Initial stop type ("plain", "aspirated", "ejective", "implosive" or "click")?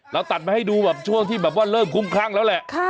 plain